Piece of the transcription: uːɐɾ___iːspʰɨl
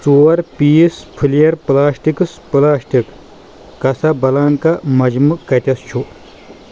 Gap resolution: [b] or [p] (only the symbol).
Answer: p